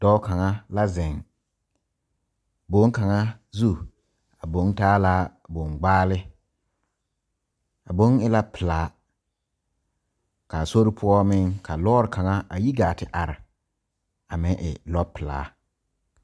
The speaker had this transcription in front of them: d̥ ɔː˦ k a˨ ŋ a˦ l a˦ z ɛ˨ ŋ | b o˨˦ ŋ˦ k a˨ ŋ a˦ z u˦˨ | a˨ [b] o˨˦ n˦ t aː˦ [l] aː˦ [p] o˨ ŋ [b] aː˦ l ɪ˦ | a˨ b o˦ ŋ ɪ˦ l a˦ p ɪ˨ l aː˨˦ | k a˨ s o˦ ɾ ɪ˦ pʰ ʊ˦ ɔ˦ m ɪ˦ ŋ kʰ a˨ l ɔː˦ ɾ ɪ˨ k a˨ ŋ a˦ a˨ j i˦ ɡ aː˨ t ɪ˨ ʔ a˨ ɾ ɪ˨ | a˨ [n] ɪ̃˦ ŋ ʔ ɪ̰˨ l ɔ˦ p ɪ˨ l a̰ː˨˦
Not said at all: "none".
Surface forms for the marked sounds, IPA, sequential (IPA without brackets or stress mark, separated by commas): b, l, b, ɡ͡b, m